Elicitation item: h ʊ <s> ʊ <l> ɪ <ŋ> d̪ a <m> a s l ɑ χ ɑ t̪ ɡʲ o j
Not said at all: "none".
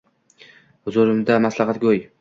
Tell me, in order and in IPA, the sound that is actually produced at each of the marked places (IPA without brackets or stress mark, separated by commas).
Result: z, ɾ, m, m